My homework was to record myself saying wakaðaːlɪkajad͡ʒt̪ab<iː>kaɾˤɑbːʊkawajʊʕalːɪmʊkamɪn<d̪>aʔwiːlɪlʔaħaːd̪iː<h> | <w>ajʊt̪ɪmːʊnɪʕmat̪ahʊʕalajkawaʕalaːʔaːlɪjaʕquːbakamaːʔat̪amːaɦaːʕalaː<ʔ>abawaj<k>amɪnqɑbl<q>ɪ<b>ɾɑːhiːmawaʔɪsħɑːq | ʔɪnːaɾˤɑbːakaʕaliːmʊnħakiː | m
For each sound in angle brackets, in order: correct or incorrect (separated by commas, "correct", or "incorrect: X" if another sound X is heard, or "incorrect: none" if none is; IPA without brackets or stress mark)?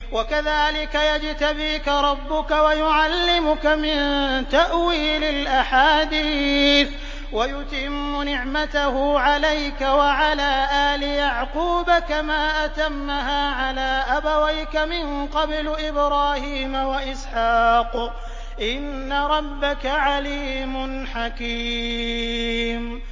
correct, incorrect: t̪, incorrect: θ, correct, correct, correct, incorrect: ʔ, correct